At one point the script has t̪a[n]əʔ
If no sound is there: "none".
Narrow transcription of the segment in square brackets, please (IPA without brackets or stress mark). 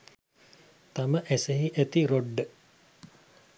m